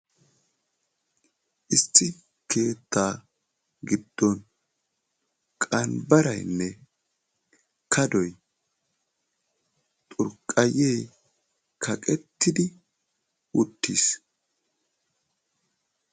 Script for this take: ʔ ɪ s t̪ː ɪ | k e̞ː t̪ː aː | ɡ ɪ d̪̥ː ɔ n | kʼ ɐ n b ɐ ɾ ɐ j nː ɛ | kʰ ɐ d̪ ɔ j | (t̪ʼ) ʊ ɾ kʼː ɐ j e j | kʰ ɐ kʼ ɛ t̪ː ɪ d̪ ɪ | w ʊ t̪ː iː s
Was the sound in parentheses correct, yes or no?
yes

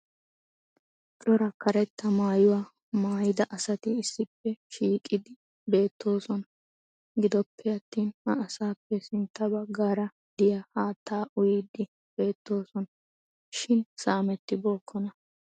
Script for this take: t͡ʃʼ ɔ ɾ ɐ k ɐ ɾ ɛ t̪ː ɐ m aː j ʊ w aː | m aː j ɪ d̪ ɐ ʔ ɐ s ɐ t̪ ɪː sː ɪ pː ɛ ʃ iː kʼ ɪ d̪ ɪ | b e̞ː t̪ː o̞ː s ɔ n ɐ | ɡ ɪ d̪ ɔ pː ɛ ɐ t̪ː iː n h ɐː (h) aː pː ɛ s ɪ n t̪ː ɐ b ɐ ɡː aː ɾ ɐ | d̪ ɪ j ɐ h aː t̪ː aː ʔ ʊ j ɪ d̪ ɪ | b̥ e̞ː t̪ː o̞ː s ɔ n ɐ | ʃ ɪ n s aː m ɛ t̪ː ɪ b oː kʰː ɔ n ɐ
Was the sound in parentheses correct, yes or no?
no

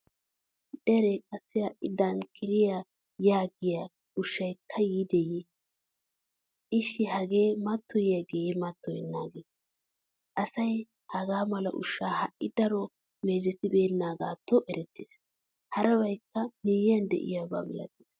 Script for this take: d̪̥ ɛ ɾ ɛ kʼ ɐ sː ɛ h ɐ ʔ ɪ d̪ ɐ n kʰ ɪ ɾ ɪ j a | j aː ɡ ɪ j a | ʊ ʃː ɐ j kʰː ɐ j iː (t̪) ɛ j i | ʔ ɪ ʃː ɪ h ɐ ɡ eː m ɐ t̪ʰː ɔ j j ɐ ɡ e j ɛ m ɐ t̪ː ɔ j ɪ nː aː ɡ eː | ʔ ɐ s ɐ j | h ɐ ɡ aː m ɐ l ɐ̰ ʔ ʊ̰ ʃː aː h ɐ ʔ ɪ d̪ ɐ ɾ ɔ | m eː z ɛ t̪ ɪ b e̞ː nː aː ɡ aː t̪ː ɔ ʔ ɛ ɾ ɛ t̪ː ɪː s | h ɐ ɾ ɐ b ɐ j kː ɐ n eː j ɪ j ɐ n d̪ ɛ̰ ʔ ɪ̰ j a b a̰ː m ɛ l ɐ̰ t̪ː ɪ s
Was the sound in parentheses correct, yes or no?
no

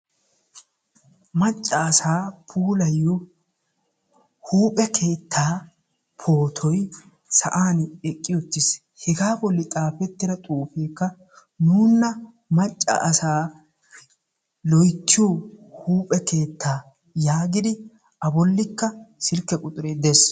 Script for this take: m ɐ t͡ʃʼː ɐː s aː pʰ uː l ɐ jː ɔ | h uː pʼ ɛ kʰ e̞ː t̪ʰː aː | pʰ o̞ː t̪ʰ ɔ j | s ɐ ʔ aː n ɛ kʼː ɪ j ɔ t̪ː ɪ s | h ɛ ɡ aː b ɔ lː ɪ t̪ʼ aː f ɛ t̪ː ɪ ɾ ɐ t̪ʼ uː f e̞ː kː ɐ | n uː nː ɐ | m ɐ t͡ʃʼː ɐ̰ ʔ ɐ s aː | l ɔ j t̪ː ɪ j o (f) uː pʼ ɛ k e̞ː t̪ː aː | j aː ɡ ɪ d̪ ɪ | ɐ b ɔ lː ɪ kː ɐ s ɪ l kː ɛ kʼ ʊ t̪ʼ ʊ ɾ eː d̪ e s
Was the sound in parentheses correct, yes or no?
no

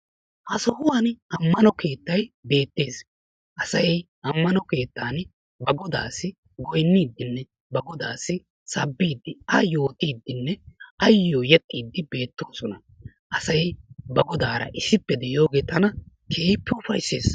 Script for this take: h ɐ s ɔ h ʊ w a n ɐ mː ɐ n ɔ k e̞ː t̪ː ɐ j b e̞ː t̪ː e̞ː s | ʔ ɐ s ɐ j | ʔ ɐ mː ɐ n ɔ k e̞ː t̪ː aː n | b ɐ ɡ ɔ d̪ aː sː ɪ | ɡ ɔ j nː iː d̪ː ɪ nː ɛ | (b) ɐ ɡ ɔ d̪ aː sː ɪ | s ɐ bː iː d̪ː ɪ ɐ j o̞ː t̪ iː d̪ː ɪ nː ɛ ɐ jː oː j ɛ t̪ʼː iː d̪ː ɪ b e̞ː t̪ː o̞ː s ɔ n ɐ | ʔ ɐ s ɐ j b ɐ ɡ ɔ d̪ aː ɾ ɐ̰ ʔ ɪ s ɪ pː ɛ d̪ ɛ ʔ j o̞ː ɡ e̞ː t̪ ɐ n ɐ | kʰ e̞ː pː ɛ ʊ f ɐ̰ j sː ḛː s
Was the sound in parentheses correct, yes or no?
yes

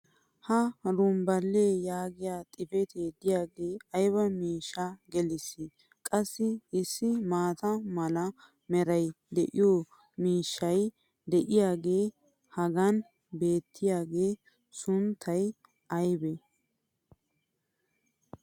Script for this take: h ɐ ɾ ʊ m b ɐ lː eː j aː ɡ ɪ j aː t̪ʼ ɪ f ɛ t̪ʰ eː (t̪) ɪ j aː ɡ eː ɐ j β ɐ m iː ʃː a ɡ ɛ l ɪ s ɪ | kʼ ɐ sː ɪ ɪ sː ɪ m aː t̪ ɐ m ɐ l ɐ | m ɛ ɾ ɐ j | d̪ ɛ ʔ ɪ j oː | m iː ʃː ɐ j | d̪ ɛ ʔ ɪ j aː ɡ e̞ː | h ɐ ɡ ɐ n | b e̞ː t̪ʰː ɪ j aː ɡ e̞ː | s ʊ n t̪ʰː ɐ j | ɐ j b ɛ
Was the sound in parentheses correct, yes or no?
no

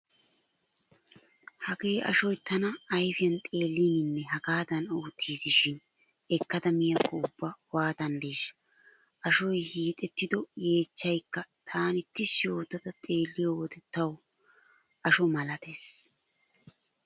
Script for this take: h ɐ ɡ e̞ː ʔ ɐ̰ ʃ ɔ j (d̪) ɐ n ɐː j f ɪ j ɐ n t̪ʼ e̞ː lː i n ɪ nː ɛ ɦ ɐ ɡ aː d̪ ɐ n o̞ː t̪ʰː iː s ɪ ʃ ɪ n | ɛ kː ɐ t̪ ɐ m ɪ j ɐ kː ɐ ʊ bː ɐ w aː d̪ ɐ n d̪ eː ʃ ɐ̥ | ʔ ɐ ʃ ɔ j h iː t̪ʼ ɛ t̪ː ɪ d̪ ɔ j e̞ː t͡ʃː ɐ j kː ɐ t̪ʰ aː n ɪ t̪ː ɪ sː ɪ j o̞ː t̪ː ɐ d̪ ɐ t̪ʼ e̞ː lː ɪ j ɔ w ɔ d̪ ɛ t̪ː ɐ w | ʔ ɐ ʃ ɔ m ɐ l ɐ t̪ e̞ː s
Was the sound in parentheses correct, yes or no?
no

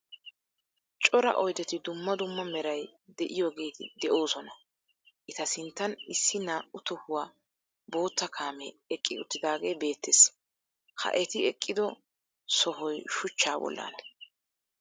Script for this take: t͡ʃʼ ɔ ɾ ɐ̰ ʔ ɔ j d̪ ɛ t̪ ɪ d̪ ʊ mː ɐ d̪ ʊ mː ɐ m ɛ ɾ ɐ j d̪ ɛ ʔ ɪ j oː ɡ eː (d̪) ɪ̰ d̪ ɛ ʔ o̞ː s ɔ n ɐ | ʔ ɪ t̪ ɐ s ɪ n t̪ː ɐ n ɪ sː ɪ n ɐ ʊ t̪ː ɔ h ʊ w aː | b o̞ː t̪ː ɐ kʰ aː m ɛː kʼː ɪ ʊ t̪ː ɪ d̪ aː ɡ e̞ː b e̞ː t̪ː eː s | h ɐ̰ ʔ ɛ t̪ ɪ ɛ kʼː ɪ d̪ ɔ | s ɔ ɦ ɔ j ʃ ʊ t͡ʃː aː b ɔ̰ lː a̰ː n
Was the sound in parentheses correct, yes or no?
no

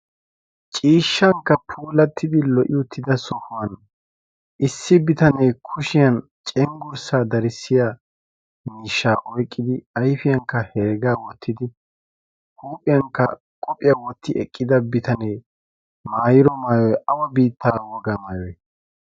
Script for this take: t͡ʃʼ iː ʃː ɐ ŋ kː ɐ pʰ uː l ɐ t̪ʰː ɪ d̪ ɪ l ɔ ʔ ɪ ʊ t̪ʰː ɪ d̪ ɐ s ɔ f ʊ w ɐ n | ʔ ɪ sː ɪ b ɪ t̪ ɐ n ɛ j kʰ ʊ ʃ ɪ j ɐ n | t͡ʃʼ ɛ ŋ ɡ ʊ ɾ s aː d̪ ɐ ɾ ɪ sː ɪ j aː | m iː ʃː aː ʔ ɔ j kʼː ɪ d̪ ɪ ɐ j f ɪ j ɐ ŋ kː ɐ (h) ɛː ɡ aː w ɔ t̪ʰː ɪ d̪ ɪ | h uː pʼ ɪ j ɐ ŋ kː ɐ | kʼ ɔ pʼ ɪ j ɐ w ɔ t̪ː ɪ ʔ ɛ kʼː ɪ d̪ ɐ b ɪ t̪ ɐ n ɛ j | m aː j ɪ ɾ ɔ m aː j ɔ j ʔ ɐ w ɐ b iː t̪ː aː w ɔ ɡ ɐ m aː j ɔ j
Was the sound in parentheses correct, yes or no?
yes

